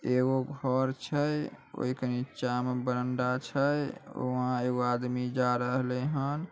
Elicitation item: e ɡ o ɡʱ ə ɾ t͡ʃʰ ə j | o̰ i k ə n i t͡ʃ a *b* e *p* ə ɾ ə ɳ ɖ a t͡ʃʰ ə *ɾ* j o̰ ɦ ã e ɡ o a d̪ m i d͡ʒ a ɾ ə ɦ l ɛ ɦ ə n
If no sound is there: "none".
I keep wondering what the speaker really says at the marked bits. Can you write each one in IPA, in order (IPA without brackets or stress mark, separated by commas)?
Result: m, b, none